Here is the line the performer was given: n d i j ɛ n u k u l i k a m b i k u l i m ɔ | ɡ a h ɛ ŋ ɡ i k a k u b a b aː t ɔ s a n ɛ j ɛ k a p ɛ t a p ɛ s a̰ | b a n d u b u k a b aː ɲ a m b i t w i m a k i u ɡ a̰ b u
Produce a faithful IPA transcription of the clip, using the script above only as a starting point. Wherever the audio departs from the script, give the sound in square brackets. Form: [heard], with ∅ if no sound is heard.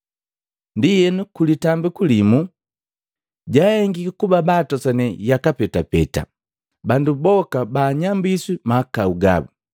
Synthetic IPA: n d i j ɛ n u k u l i [t] a m b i k u l i m [u] | [ɟ] a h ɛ ŋ ɡ i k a k u b a b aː t ɔ s a n ɛ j [a] k a p ɛ t a p ɛ [t] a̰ | b a n d u b [ɔ] k a b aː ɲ a m b i [s] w i m a k [a] u ɡ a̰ b u

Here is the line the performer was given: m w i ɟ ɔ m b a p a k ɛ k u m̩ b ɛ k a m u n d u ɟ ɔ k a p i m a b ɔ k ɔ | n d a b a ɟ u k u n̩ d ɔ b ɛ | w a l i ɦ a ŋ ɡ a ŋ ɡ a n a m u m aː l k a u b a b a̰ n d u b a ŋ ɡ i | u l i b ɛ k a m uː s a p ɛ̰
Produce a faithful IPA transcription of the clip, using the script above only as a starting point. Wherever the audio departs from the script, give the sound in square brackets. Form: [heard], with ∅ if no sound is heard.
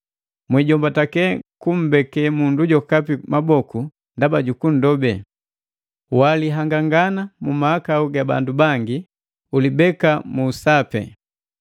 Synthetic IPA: m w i ɟ ɔ m b a [t] a k ɛ k u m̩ b ɛ k [ɛ] m u n d u ɟ ɔ k a p i m a b ɔ k [u] | n d a b a ɟ u k u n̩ d ɔ b ɛ | w a l i ɦ a ŋ ɡ a ŋ ɡ a n a m u m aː [∅] k a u [ɡ] a b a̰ n d u b a ŋ ɡ i | u l i b ɛ k a m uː s a p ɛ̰

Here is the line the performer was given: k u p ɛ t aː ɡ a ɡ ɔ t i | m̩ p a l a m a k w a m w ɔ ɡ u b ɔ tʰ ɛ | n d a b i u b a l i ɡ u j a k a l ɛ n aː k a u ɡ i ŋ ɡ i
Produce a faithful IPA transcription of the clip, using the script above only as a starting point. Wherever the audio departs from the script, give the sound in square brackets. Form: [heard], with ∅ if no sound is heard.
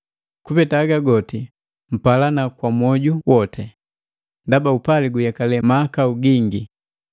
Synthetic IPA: k u p ɛ t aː ɡ a ɡ ɔ t i | m̩ p a l a [n] a k w a m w ɔ [ɟ] u [w] ɔ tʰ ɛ | n d a b [a] u [p] a l i ɡ u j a k a l ɛ [m] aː k a u ɡ i ŋ ɡ i

